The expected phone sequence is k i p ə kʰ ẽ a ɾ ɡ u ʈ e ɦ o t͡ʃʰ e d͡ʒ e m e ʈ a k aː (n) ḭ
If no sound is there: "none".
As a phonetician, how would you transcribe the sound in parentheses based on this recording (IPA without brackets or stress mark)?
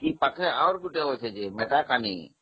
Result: n